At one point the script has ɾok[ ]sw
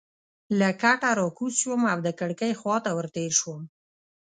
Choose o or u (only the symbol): u